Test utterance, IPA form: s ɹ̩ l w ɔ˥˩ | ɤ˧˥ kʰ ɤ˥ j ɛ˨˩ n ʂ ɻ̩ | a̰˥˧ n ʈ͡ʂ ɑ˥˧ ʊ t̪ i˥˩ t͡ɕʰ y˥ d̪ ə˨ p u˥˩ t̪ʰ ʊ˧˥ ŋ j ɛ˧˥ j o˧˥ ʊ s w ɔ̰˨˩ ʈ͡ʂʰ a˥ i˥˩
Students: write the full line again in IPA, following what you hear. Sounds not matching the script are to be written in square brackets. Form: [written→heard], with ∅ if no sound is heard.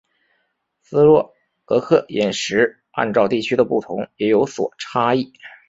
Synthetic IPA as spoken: s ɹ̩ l w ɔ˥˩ | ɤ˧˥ kʰ [ɤ˥→ɤ˥˩] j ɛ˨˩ n ʂ ɻ̩ | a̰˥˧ n ʈ͡ʂ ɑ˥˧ ʊ t̪ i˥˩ t͡ɕʰ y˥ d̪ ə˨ p u˥˩ t̪ʰ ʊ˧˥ ŋ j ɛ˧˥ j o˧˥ ʊ s w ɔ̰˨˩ ʈ͡ʂʰ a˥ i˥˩